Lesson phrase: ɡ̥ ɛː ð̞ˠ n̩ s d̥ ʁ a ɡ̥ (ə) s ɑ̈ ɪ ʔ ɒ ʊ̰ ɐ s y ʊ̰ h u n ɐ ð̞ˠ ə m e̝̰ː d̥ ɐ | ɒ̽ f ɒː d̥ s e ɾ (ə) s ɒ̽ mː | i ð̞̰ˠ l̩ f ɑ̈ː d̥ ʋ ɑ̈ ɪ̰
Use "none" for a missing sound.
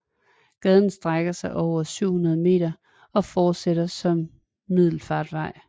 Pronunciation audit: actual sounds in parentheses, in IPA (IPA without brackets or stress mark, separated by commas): ɐ, ɐ